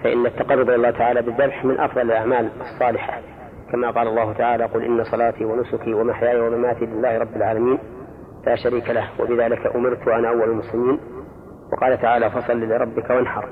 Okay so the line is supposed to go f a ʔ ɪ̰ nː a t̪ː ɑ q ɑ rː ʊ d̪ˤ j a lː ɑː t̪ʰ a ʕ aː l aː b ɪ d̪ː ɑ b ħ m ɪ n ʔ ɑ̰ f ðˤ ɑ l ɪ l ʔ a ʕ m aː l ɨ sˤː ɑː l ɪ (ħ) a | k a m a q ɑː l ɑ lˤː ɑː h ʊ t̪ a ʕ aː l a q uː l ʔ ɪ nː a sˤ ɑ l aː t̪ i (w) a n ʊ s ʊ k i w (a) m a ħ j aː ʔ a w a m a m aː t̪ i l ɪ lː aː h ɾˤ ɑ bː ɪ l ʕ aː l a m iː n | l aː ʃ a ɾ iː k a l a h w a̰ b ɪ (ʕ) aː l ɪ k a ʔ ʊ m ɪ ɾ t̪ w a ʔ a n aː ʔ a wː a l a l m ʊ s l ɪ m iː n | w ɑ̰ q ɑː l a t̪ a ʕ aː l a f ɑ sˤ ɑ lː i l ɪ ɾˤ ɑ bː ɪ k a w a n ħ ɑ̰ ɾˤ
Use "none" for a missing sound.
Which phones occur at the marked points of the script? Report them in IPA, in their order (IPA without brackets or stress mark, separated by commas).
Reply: ħ, w, a, ð